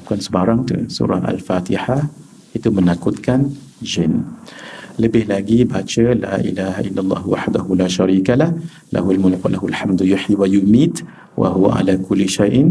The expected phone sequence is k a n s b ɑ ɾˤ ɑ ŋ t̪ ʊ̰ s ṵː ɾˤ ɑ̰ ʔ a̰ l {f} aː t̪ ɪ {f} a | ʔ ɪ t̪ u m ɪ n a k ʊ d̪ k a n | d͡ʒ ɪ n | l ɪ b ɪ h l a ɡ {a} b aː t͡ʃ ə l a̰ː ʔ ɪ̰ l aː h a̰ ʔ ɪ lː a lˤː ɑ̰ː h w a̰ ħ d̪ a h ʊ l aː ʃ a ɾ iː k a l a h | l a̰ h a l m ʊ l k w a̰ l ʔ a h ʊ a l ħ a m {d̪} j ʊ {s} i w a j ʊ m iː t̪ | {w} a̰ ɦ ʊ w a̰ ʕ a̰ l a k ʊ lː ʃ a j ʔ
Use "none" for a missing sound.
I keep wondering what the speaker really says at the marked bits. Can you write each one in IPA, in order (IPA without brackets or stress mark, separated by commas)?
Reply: f, ħ, i, d̪, ħ, w